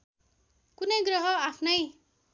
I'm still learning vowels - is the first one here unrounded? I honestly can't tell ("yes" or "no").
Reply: no